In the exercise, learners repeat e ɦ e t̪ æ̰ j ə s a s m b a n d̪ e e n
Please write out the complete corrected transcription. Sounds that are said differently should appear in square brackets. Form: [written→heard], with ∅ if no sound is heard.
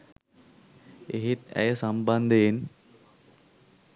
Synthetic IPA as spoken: e ɦ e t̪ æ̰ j ə s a [s→∅] m b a n d̪ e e n